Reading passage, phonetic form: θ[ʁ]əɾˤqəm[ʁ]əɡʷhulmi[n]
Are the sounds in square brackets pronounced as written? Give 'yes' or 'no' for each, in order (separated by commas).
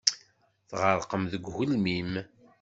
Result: yes, no, no